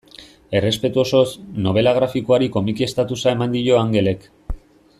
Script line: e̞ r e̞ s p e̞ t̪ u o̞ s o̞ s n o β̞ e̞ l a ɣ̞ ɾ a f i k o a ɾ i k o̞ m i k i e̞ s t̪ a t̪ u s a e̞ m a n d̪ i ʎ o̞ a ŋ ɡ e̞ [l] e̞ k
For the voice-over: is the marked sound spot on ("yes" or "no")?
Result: yes